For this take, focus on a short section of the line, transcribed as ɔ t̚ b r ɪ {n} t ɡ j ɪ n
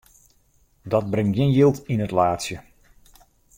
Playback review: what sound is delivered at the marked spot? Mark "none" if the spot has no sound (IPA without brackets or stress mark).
ŋ